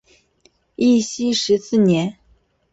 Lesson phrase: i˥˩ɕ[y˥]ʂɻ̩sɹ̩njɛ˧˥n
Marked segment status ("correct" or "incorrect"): incorrect